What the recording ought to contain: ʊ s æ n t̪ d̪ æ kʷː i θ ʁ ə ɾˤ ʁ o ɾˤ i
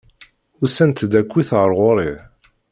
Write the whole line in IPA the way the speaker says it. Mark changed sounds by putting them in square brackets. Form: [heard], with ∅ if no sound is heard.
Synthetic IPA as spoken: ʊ s æ n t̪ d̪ æ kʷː i θ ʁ ə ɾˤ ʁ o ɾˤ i